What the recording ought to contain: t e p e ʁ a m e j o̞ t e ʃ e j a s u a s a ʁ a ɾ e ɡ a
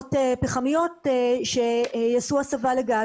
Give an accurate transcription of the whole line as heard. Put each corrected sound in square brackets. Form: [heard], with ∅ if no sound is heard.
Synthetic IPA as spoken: t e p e [χ] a m [i] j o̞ t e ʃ e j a s u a s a [v] a [l] e ɡ a

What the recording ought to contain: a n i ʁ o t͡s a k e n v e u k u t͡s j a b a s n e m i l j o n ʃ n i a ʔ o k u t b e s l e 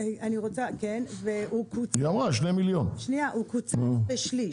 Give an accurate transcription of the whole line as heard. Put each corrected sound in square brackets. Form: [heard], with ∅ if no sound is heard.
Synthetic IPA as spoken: a n i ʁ o t͡s a k e n v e u k u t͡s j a [m] a [ʃ] n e m i l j o n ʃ n i a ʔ [u] k u [t͡s] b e [ʃ] l [i]

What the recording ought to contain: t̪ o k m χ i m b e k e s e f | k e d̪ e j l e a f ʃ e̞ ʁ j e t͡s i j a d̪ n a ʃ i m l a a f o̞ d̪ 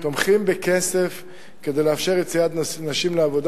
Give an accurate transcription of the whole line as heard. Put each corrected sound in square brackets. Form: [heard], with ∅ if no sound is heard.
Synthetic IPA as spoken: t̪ o [∅] m χ i m b e k e s e f | k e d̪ e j l e a f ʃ e̞ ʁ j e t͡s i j a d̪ n a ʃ i m l [e] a [v] o̞ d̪

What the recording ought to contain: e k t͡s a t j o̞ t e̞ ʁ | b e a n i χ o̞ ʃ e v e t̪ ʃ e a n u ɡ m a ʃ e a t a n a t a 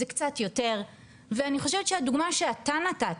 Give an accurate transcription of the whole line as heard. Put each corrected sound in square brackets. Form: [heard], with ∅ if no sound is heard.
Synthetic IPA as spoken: e k t͡s a t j o̞ t e̞ ʁ | [v] e a n i χ o̞ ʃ e v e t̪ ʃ e a [d] u ɡ m a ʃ e a t a n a t a

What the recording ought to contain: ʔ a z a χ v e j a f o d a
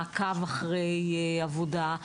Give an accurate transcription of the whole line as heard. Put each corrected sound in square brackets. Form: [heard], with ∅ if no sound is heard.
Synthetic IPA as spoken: [k] a [v] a χ [ʁ] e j a [v] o d a

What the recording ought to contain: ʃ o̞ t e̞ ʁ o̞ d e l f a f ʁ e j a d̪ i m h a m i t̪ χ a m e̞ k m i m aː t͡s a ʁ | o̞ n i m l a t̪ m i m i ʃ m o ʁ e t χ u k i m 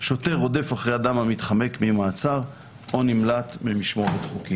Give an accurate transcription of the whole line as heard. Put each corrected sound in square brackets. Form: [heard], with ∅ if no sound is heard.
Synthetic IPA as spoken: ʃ o̞ t e̞ ʁ o̞ d e [∅] f a [χ] ʁ e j a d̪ [a] m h a m i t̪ χ a m e̞ k m i m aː t͡s a ʁ | o̞ n i m l a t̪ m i m i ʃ m o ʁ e t χ u k i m

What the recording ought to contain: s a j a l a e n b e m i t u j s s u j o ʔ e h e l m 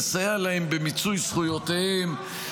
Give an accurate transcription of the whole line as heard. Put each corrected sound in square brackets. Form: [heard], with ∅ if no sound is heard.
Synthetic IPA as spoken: s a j a l a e [m] b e m i [t͡s] u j s [χ] u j o [t] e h e [∅] m

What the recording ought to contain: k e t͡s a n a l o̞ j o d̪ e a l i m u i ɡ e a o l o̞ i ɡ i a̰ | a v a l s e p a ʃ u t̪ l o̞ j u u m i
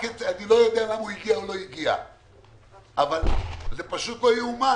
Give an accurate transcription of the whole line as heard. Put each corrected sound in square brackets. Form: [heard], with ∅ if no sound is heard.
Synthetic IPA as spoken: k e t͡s a n [i] l o̞ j o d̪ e a l [a] m u i ɡ [i] a o l o̞ i ɡ i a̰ | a v a l [z] e p a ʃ u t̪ l o̞ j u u m [a]

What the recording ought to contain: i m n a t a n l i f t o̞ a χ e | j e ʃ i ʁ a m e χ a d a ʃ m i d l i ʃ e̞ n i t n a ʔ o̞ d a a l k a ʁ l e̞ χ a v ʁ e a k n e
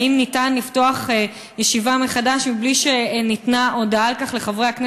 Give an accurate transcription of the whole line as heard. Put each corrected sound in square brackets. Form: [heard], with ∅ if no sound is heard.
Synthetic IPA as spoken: i m n [i] t a n l i f t o̞ a χ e | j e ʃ i [v] a m e χ a d a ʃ m i [b] l i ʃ e̞ n i t n a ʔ o̞ d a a l k a [χ] l e̞ χ a v ʁ e a k n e

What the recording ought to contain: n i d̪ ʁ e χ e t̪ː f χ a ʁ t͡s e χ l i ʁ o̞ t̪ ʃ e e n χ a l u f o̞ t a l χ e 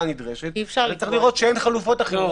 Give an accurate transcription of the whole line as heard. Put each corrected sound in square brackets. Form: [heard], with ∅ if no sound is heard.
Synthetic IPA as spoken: n i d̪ ʁ e [ʃ] e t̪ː f [ʃ] a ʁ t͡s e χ l i ʁ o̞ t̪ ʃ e e n χ a l u f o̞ t a [∅] χ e

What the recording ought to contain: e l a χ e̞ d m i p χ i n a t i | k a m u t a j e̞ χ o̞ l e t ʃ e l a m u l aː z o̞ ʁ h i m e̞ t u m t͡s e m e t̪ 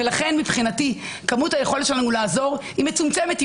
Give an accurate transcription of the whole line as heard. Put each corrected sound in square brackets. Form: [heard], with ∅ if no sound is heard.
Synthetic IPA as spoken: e l a χ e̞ [n] m i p χ i n a t i | k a m u t a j e̞ χ o̞ l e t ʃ e l a [n] u l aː z o̞ ʁ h i m e̞ [t͡s] u m t͡s e m e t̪

